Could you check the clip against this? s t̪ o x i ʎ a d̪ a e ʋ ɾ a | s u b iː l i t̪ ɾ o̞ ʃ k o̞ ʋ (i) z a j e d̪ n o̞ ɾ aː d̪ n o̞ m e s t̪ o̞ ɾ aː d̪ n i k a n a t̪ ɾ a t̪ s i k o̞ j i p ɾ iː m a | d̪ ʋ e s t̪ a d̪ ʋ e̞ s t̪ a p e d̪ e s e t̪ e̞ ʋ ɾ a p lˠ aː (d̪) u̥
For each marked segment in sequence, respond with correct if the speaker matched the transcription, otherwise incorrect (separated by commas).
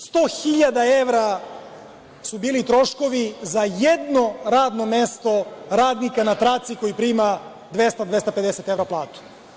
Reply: correct, incorrect